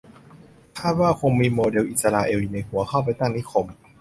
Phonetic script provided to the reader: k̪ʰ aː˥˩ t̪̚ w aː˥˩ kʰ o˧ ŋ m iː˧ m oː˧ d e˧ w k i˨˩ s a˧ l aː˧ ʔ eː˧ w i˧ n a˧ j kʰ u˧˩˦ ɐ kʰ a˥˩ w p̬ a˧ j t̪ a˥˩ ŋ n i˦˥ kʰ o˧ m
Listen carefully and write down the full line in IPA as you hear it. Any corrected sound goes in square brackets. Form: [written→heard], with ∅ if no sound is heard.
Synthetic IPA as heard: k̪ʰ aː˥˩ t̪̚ w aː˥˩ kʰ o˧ ŋ m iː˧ m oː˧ d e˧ w [k→ʔ] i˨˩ s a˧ l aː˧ ʔ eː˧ w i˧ n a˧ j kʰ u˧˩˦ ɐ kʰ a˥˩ w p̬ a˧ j t̪ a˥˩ ŋ n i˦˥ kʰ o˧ m